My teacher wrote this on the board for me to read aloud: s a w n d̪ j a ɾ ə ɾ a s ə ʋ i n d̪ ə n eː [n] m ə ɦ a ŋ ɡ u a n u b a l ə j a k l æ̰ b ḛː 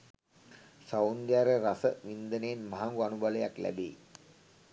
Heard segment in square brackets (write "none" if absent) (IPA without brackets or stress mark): n